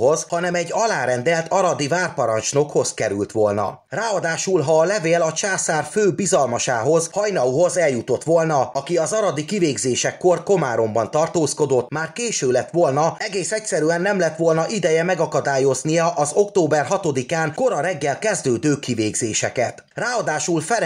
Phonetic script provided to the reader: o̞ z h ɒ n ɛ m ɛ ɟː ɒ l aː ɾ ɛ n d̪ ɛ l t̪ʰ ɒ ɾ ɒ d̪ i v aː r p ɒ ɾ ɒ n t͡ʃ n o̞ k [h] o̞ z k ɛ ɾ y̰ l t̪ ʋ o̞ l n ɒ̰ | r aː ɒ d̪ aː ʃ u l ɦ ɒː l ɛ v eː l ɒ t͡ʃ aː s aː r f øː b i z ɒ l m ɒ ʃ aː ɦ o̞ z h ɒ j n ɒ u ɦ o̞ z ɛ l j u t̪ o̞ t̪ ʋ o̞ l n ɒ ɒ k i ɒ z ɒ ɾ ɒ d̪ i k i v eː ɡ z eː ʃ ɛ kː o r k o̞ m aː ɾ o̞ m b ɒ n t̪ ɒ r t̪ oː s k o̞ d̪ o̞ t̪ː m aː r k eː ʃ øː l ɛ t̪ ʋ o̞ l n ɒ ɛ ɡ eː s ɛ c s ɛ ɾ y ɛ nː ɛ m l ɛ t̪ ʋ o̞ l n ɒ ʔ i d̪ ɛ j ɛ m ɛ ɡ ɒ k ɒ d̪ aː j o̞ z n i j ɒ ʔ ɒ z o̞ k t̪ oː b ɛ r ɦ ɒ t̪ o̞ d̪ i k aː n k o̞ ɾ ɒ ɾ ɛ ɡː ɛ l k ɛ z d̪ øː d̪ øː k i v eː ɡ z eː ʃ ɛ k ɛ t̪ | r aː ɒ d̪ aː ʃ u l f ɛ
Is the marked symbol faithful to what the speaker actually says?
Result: yes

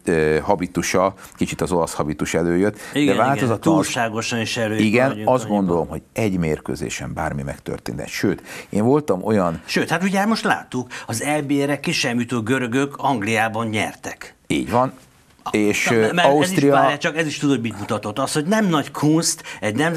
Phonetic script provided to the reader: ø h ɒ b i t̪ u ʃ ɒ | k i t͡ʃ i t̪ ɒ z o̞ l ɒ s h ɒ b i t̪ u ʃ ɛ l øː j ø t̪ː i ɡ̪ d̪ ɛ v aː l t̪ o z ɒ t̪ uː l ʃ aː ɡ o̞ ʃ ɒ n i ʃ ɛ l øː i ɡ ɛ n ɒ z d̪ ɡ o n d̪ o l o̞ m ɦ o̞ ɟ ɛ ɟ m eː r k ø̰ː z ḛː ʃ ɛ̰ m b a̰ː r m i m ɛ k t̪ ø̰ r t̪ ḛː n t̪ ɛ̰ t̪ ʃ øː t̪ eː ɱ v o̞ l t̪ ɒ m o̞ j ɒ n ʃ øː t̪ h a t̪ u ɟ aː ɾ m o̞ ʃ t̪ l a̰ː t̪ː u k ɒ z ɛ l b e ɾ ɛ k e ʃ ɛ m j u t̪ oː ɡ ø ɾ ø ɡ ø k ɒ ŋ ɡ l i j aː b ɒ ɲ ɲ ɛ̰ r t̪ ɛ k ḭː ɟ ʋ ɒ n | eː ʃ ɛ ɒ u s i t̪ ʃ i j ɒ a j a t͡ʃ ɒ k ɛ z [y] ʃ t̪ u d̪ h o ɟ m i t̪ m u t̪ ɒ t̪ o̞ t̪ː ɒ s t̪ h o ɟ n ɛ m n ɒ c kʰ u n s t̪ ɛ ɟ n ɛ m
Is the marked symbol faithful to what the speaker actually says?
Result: no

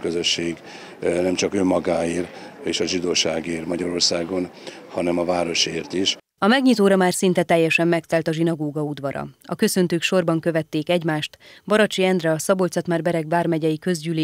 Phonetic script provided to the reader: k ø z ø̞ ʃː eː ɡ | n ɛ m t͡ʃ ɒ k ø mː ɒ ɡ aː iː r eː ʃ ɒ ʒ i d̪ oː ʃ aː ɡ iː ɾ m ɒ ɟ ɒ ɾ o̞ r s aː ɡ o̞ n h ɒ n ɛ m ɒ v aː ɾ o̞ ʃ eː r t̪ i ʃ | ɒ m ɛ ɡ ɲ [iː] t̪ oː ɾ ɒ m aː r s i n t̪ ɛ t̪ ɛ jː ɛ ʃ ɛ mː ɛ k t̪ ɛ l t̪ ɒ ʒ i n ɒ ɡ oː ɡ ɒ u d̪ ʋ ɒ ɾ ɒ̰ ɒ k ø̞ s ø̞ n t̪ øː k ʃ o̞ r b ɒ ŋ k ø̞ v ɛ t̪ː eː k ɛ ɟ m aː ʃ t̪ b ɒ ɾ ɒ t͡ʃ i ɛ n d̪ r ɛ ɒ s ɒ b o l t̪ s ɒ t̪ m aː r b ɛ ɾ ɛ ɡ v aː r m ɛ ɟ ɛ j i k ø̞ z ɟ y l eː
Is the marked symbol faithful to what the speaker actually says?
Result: no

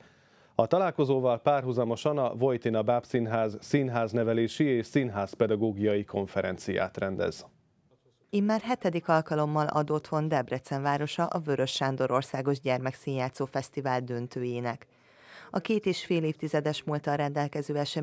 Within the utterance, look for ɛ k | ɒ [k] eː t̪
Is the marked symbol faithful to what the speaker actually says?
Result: yes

